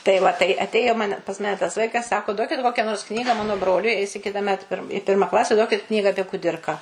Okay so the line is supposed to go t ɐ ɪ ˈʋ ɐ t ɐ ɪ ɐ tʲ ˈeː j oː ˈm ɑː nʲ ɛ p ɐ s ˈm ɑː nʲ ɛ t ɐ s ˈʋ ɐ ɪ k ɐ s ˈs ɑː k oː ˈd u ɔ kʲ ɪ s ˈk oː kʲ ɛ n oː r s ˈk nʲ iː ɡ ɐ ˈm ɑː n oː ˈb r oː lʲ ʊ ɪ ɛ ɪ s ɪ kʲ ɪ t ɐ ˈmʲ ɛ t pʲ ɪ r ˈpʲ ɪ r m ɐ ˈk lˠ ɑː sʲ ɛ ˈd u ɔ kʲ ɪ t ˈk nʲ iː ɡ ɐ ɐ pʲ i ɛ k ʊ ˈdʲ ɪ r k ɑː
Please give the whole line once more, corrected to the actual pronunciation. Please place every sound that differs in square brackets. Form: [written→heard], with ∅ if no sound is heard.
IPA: t ɐ ɪ ˈʋ ɐ t ɐ ɪ ɐ tʲ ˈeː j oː ˈm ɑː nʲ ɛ p ɐ s ˈm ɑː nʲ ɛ t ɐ s ˈʋ ɐ ɪ k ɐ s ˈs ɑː k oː ˈd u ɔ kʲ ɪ [s→t] ˈk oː kʲ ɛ n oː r s ˈk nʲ iː ɡ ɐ ˈm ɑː n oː ˈb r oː lʲ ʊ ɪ ɛ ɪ s ɪ kʲ ɪ t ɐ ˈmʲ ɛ t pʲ ɪ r ˈpʲ ɪ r m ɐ ˈk lˠ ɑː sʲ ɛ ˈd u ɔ kʲ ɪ t ˈk nʲ iː ɡ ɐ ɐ pʲ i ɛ k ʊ ˈdʲ ɪ r k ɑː